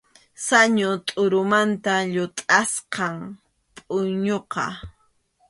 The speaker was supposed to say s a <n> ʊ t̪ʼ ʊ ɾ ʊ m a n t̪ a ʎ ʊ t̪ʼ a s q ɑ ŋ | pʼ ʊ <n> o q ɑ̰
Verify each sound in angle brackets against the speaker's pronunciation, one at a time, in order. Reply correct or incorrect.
incorrect: ɲ, incorrect: ɲ

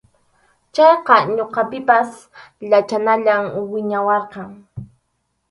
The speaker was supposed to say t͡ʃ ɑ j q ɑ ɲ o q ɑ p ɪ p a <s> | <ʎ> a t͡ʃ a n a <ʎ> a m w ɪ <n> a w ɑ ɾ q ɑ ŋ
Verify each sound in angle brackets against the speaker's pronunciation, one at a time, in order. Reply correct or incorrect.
correct, correct, correct, incorrect: ɲ

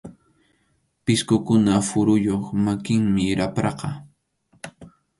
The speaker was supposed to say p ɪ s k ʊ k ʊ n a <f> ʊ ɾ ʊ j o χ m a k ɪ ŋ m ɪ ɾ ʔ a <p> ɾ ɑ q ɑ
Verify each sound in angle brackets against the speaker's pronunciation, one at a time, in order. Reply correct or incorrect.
correct, correct

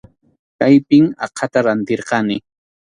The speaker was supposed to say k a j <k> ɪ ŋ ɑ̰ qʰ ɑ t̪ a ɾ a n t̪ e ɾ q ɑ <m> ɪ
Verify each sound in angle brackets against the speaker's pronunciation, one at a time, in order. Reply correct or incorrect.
incorrect: p, incorrect: n

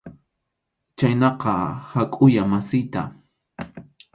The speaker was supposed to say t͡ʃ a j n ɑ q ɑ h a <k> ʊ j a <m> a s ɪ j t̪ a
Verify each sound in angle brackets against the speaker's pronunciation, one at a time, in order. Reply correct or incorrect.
incorrect: kʼ, correct

